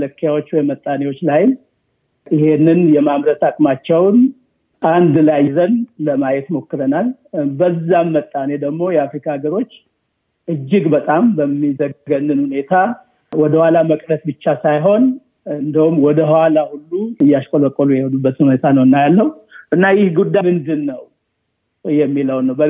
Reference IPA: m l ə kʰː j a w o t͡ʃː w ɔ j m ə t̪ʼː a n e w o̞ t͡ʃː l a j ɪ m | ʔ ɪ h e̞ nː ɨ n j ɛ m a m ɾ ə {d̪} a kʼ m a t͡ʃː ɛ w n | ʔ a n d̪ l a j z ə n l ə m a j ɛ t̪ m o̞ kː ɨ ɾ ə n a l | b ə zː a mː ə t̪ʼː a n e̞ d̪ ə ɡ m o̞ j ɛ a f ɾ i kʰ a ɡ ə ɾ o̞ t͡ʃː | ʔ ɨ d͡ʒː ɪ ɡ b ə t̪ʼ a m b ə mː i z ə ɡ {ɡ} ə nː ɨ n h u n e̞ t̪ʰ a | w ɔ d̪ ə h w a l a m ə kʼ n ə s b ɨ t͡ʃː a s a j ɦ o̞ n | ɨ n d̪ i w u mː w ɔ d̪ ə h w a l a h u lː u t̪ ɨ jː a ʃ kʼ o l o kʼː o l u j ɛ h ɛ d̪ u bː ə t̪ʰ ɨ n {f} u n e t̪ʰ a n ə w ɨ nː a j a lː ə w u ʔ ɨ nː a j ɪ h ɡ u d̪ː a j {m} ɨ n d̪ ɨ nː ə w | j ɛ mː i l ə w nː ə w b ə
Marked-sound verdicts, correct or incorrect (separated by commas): incorrect, correct, incorrect, correct